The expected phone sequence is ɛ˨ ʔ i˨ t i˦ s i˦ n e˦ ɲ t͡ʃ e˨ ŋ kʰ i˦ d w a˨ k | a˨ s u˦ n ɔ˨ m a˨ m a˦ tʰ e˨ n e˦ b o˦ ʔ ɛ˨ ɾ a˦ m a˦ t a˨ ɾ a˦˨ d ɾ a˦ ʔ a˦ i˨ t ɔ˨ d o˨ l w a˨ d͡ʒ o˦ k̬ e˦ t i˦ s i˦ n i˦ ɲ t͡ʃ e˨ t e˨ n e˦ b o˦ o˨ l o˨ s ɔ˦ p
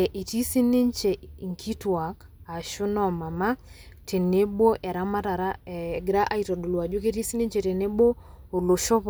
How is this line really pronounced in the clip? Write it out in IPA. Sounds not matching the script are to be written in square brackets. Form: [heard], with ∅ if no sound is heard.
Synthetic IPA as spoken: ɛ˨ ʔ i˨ t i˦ s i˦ n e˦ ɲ t͡ʃ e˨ ŋ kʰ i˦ [t] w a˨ k | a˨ [ʃ] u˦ n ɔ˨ m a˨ m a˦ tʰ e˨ n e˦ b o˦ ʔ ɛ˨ ɾ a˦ m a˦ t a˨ ɾ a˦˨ [ɡ] ɾ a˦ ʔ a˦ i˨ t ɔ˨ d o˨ l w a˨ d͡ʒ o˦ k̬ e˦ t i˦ s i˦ n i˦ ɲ t͡ʃ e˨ t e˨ n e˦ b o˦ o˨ l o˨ [ʃ] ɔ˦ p